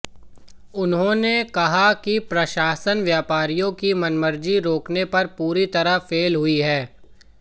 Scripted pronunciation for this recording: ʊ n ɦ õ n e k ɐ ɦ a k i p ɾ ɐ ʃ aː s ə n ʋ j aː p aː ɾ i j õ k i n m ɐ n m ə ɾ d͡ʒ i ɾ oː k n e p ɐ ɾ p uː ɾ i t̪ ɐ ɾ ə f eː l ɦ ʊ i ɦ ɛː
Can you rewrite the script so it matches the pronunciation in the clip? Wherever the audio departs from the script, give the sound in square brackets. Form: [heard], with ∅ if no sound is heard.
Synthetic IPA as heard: ʊ n ɦ õ n e k ɐ ɦ a k i p ɾ ɐ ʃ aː s ə n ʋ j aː p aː ɾ i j õ k i [∅] m ɐ n m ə ɾ d͡ʒ i ɾ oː k n e p ɐ ɾ p uː ɾ i t̪ ɐ ɾ ə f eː l ɦ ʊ i ɦ ɛː

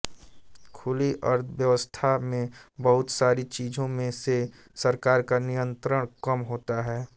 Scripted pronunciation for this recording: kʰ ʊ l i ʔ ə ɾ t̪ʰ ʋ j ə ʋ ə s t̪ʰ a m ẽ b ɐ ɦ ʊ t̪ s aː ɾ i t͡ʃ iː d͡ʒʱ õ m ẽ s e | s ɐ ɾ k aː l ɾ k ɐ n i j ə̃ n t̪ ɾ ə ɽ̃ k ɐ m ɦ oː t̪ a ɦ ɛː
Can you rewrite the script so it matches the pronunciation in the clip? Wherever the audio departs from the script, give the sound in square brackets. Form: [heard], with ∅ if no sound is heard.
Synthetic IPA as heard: kʰ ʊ l i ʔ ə ɾ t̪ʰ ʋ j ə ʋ ə s t̪ʰ a m ẽ b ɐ ɦ ʊ t̪ s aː ɾ i t͡ʃ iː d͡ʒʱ õ m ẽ s e | s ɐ ɾ k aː [∅] ɾ k [a] n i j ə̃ n t̪ ɾ ə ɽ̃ k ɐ m ɦ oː t̪ a ɦ ɛː

